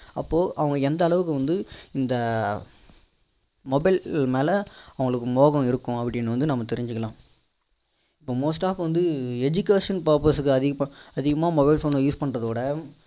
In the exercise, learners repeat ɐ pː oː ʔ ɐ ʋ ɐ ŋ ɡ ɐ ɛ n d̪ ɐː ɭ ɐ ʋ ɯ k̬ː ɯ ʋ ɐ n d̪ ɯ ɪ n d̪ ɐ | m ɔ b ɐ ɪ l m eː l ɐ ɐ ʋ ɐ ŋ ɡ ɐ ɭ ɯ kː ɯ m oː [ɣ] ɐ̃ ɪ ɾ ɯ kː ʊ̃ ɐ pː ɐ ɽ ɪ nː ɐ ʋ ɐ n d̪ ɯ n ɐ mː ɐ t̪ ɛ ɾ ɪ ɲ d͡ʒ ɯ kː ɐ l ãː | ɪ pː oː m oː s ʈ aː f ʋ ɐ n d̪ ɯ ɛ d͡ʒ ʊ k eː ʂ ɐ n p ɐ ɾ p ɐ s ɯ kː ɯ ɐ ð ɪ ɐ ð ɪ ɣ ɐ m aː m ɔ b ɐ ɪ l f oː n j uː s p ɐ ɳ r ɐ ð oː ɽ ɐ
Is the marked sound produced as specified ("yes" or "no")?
yes